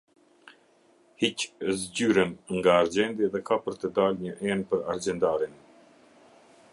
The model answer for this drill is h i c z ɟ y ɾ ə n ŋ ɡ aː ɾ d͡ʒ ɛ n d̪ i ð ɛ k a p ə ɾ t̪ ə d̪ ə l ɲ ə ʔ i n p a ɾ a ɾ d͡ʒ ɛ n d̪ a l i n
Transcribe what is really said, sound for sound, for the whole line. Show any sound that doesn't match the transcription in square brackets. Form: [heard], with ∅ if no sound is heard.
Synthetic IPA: h i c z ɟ y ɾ ə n ŋ ɡ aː ɾ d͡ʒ ɛ n d̪ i ð ɛ k a p ə ɾ t̪ ə d̪ [a] l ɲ ə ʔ [ɛ] n p [ə] ɾ a ɾ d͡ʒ ɛ n d̪ a [ɾ] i n